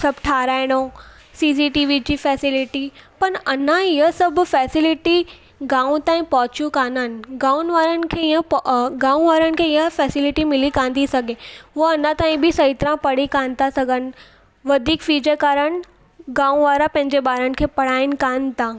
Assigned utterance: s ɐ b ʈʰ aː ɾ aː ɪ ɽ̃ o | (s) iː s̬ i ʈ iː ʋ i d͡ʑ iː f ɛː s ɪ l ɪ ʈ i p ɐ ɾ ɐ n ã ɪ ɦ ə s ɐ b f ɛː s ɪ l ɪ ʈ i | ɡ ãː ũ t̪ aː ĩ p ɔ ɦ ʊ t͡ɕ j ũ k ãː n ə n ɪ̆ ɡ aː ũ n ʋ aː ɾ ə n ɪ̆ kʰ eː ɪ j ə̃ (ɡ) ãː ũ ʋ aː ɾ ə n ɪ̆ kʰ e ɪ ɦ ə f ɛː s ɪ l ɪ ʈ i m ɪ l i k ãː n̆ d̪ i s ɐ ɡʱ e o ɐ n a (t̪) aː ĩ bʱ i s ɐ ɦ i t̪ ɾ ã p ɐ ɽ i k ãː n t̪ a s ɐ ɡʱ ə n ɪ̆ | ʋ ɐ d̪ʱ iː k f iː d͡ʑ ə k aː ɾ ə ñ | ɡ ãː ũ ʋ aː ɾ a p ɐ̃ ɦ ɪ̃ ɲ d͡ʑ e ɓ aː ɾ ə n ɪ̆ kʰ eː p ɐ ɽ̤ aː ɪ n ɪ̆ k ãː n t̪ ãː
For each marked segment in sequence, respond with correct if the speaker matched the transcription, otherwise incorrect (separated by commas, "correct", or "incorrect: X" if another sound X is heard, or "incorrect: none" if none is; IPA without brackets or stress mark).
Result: correct, correct, correct